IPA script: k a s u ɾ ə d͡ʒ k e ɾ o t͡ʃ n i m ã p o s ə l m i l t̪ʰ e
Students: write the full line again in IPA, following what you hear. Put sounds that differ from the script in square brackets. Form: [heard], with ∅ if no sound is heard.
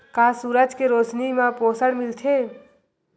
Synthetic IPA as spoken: k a s u ɾ ə d͡ʒ k e ɾ o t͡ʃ n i m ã p o s ə [ɽ] m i l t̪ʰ e